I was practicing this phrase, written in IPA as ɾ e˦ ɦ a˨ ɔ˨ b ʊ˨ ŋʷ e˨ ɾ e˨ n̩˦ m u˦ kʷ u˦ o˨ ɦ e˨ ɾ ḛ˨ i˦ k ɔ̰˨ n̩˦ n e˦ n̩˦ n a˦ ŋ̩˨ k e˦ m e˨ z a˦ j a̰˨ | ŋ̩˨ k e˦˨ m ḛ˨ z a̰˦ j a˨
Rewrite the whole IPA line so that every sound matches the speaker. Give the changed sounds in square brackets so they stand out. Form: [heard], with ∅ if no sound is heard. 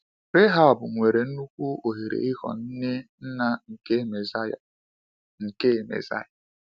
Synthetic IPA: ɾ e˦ ɦ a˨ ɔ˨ b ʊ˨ ŋʷ e˨ ɾ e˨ n̩˦ [n] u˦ kʷ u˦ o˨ ɦ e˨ ɾ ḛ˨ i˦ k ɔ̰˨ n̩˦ n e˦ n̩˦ n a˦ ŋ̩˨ k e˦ m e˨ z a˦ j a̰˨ | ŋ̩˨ k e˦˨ m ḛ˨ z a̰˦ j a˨